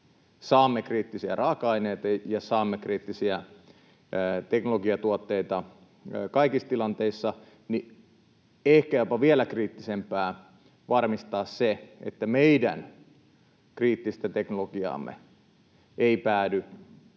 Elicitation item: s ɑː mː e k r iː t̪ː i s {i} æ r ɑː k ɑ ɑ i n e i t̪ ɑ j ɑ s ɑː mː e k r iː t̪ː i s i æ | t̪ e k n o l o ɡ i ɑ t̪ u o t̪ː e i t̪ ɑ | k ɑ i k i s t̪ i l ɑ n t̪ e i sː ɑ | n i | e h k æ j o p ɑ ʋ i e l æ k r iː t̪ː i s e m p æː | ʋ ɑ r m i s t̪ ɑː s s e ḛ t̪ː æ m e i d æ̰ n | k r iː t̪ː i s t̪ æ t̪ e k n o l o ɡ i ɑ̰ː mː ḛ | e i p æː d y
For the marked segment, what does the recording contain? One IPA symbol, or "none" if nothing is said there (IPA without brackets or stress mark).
i